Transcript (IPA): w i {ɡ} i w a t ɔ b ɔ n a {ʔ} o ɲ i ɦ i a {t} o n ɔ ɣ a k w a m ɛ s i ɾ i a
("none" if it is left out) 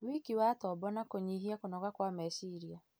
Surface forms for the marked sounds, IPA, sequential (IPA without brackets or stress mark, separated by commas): k, k, k